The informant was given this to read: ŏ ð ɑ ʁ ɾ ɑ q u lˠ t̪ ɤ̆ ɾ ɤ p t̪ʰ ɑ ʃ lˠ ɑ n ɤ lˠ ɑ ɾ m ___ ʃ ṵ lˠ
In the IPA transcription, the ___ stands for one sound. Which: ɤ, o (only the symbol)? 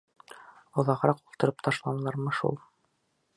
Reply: ɤ